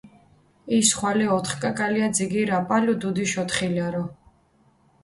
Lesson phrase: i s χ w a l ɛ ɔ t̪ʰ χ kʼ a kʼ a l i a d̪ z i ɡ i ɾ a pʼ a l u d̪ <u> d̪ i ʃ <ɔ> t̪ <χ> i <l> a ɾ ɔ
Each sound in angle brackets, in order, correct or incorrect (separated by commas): correct, correct, correct, correct